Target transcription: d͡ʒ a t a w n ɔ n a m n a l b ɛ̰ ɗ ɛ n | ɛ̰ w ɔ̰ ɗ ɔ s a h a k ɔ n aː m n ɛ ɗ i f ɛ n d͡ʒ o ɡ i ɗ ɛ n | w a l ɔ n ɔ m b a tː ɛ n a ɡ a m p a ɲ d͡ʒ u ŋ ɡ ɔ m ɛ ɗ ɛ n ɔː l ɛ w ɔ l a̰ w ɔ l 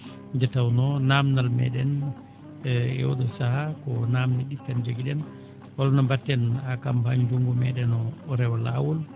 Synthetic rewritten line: d͡ʒ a t a w n ɔ n a m n a l m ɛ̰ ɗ ɛ n | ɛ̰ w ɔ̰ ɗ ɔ s a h a k ɔ n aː m n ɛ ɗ i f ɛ n d͡ʒ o ɡ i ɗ ɛ n | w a l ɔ n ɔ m b a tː ɛ n a k a m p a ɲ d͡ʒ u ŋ ɡ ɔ m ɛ ɗ ɛ n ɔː ɾ ɛ w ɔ l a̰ w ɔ l